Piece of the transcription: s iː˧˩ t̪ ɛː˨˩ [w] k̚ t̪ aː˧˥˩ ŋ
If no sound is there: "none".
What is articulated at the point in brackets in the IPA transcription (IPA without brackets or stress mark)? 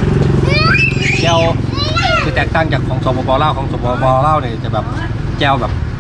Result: none